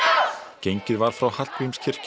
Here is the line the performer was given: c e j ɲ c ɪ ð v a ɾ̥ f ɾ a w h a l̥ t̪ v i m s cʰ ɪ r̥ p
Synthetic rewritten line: c e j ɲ c ɪ ð v a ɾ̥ f ɾ a w h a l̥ t̪ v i m s cʰ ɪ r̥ c